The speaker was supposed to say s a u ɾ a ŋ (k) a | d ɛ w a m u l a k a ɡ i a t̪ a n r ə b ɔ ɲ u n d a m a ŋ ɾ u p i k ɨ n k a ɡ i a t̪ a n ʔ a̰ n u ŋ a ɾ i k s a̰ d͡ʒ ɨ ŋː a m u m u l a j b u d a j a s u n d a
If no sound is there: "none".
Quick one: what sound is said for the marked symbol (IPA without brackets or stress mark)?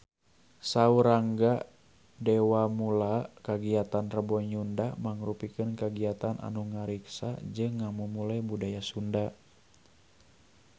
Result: ɡ